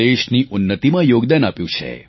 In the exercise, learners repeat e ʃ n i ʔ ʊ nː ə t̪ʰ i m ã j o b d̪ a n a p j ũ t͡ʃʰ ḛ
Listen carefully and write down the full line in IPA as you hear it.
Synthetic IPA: e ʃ n i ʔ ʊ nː ə t̪ i m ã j o ɡ d̪ a n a p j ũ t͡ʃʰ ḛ